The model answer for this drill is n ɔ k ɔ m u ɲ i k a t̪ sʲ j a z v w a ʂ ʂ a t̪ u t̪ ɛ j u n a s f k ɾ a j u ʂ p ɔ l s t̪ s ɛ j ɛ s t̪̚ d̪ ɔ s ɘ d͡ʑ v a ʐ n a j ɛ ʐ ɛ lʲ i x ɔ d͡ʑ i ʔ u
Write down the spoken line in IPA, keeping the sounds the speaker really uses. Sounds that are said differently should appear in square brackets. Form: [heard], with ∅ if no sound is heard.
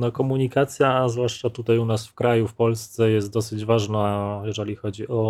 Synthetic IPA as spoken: n ɔ k ɔ m u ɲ i k a t̪ sʲ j a z v w a ʂ [t͡ʂ] a t̪ u t̪ [a] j u n a s f k ɾ a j u [f] p ɔ l s t̪ s ɛ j ɛ s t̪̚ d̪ ɔ s ɘ d͡ʑ v a ʐ n a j ɛ ʐ ɛ lʲ i x ɔ d͡ʑ i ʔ [ɔ]